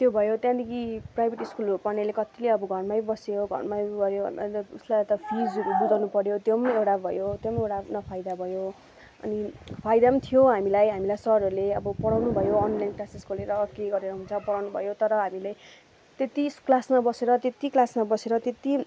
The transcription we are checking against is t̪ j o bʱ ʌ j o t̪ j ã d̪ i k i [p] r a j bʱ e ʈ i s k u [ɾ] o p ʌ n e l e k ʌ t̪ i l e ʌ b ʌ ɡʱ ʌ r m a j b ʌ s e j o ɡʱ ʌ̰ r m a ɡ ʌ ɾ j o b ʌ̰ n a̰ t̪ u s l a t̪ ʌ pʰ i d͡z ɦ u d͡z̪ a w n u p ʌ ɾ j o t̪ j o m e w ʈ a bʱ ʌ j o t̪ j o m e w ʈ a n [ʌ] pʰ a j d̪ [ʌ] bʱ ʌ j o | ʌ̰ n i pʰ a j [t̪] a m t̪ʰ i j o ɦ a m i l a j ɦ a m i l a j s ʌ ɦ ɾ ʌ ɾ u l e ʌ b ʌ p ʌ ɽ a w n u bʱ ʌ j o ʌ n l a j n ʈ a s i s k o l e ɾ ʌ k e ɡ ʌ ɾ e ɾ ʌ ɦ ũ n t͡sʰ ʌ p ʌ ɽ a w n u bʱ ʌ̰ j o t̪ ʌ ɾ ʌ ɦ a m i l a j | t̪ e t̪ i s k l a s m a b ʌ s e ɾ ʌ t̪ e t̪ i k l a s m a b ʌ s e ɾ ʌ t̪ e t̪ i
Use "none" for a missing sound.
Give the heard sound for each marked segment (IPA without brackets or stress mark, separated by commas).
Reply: p, l, ʌ, a, d̪